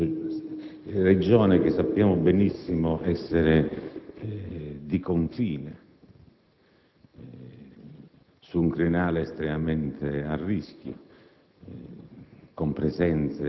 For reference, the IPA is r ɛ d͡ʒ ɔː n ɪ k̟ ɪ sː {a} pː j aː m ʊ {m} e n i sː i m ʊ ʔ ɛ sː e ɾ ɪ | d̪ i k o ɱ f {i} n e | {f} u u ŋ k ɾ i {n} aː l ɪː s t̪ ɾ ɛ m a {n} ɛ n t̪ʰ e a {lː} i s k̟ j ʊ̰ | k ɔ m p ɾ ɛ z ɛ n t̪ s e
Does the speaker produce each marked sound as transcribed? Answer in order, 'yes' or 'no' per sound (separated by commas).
yes, no, no, no, yes, no, no